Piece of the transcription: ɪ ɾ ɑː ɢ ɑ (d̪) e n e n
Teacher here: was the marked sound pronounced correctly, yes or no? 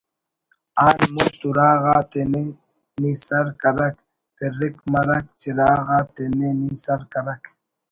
no